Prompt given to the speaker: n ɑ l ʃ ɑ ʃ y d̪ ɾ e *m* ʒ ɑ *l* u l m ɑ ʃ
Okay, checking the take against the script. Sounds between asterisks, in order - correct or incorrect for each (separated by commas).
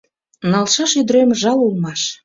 correct, correct